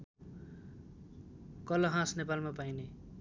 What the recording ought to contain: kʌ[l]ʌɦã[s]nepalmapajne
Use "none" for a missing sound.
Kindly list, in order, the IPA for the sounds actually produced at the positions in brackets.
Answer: l, s

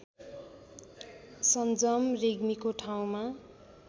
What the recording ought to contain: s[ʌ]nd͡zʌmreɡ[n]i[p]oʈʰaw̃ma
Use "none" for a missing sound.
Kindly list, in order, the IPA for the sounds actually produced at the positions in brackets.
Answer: ʌ, m, k

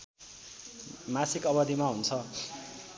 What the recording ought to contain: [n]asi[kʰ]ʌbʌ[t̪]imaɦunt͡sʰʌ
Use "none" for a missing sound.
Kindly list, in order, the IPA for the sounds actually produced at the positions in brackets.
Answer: m, k, d̪

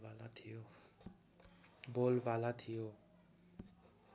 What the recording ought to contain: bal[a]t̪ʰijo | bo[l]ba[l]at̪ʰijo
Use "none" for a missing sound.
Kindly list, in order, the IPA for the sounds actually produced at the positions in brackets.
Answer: a, l, l

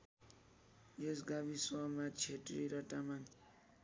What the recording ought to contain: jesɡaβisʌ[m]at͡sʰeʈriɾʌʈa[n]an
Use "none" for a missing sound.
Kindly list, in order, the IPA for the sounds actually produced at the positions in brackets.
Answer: m, m

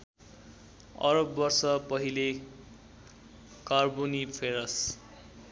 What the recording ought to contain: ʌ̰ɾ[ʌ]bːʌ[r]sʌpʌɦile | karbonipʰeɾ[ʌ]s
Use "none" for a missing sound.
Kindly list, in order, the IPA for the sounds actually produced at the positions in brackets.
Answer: ʌ, r, ʌ

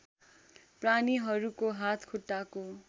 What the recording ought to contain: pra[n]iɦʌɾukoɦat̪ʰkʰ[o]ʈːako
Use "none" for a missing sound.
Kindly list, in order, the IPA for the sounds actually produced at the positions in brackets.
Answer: n, u

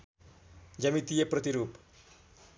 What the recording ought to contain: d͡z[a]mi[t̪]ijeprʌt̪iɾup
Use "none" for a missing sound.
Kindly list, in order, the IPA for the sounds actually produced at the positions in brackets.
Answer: ʌ, t̪

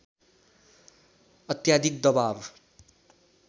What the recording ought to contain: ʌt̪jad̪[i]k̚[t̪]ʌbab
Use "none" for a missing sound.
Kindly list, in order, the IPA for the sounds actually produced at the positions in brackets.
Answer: i, d̪

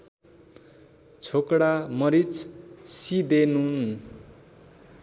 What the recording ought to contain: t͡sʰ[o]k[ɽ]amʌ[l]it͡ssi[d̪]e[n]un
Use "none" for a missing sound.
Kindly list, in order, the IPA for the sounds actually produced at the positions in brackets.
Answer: o, ɽ, ɾ, d̪, n

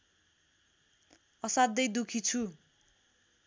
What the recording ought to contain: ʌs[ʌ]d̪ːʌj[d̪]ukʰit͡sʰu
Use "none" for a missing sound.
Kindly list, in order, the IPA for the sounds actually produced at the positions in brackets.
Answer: a, d̪

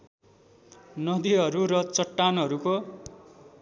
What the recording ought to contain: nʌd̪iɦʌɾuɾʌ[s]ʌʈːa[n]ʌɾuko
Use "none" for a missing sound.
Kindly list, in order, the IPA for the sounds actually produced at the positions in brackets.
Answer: t͡s, n

